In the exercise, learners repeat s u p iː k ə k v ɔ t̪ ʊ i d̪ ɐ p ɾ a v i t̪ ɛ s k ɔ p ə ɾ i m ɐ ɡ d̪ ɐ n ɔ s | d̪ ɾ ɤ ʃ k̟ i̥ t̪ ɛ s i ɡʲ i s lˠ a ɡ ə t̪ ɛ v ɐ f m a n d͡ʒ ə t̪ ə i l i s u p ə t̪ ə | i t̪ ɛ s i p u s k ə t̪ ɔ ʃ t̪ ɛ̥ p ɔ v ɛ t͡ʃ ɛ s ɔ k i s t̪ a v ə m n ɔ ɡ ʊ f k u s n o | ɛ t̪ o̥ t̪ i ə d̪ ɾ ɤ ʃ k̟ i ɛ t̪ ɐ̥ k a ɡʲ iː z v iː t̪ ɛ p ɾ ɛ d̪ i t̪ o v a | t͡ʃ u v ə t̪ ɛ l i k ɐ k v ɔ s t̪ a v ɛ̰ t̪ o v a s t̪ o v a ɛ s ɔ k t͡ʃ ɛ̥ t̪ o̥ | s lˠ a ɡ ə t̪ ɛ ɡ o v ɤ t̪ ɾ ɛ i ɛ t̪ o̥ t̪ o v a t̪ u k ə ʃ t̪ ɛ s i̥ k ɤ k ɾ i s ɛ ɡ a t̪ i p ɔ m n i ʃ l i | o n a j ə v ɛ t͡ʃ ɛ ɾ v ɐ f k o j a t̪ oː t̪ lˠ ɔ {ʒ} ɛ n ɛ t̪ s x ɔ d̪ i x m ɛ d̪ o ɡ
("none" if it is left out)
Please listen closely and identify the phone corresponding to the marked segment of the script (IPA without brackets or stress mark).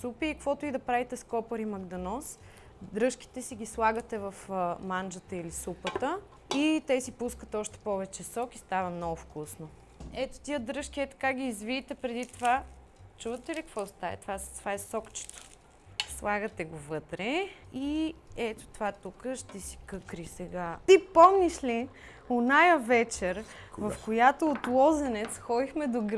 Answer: z